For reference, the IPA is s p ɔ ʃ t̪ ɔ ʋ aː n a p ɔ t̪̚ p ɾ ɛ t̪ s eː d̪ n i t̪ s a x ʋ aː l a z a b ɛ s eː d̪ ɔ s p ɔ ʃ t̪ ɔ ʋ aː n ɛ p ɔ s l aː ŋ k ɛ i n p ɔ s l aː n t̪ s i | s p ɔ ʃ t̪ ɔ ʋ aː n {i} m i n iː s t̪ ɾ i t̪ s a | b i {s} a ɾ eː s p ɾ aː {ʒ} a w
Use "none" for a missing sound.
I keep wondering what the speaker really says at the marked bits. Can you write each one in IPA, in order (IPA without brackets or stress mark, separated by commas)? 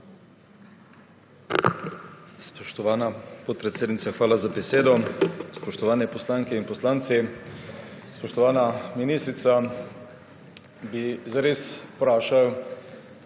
a, z, ʃ